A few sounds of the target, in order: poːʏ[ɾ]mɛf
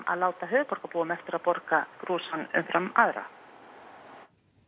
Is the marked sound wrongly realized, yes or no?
yes